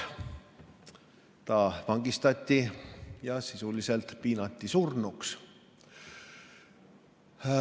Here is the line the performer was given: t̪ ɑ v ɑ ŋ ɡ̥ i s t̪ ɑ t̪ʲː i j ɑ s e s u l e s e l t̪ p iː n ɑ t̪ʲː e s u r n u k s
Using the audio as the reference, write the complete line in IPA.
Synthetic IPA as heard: t̪ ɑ v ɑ ŋ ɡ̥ i s t̪ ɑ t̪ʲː i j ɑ s i s u l i s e l t̪ p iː n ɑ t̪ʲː i s u r n u k s

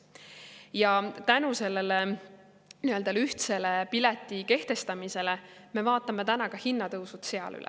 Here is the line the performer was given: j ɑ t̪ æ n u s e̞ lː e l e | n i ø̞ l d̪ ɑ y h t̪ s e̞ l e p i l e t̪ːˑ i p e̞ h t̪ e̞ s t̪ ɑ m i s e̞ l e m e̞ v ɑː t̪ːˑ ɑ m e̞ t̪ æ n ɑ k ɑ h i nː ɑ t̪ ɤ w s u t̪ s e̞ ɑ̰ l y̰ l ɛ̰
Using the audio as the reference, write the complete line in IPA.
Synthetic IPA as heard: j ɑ t̪ æ n u s e̞ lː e l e | n i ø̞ l d̪ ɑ y h t̪ s e̞ l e p i l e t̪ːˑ i k e̞ h t̪ e̞ s t̪ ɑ m i s e̞ l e m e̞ v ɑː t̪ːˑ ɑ m e̞ t̪ æ n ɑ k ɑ h i nː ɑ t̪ ɤ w s u t̪ s e̞ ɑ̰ l y̰ l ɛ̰

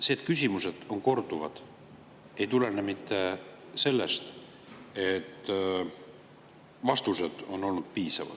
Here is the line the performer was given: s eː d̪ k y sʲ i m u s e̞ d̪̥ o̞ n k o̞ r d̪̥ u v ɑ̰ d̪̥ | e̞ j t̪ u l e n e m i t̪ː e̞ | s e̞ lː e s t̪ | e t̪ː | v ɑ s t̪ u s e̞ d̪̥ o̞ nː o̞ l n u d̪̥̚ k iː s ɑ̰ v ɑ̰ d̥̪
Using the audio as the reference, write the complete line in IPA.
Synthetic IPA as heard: s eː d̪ k y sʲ i m u s e̞ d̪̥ o̞ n k o̞ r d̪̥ u v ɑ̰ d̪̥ | e̞ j t̪ u l e n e m i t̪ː e̞ | s e̞ lː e s t̪ | e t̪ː | v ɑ s t̪ u s e̞ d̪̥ o̞ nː o̞ l n u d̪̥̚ p iː s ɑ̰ v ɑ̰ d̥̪

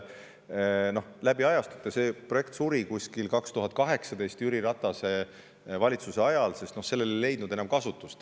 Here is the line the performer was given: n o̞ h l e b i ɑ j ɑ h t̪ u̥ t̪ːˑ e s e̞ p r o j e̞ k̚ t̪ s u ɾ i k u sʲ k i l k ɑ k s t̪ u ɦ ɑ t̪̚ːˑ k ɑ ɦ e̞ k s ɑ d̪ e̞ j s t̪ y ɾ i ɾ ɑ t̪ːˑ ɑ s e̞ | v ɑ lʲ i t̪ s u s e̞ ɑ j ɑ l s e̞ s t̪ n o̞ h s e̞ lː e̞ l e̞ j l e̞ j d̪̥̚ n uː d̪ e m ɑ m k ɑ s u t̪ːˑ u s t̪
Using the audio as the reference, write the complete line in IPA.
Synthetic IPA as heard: n o̞ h l æ b i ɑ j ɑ s t̪ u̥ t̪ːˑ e s e̞ p r o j e̞ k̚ t̪ s u ɾ i k u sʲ k i l k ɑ k s t̪ u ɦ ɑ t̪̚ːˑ k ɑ ɦ e̞ k s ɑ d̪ e̞ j s t̪ y ɾ i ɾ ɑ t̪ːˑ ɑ s e̞ | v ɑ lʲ i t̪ s u s e̞ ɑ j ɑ l s e̞ s t̪ n o̞ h s e̞ lː e̞ l e̞ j l e̞ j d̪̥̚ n u d̪ e n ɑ m k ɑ s u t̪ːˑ u s t̪

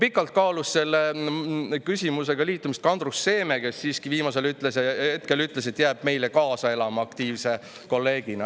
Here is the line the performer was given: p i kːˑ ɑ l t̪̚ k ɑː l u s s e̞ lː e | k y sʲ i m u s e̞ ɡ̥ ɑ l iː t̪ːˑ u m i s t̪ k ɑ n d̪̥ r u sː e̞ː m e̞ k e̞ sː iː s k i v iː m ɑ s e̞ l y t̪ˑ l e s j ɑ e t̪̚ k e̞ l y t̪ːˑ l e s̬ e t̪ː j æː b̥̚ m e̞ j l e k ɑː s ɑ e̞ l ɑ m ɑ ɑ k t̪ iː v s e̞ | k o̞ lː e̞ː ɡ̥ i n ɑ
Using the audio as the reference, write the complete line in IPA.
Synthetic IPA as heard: p i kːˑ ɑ l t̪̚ k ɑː l u s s e̞ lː e | k y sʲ i m u s e̞ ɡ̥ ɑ l iː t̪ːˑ u m i s t̪ k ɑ n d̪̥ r u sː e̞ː m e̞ k e̞ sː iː s k i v iː m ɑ s e̞ l y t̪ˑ l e s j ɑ e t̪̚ k e̞ l y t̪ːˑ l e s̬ e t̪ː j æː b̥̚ m e̞ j l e k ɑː s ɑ e̞ l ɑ m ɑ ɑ k t̪ iː v s e̞ | k o̞ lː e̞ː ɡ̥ i n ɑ

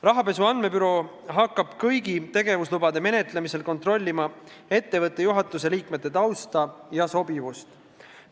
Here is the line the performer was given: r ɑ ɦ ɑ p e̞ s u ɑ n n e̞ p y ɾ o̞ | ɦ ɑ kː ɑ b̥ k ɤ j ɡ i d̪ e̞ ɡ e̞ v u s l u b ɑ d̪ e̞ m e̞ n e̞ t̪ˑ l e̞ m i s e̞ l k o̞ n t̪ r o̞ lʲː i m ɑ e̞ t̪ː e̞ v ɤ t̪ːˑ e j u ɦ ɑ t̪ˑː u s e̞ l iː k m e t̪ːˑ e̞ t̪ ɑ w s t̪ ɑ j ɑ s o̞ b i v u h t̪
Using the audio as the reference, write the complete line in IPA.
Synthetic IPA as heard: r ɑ ɦ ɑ p e̞ s u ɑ n m e̞ p y ɾ o̞ | ɦ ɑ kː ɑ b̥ k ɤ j ɡ i t̪ e̞ ɡ e̞ v u s l u b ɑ d̪ e̞ m e̞ n e̞ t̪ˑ l e̞ m i s e̞ l k o̞ n t̪ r o̞ lʲː i m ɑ e̞ t̪ː e̞ v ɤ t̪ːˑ e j u ɦ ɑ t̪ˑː u s e̞ l iː k m e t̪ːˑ e̞ t̪ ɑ w s t̪ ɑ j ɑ s o̞ b i v u s t̪

